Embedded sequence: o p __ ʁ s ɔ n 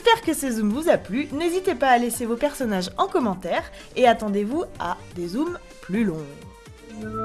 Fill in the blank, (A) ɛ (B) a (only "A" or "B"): A